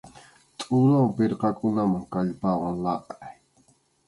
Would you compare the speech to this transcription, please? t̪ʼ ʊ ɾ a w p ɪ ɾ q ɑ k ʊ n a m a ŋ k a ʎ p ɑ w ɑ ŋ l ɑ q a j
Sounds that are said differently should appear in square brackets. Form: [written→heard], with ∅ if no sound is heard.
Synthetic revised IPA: t̪ʼ ʊ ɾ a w p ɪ ɾ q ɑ k ʊ n a m a ŋ k a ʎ p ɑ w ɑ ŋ l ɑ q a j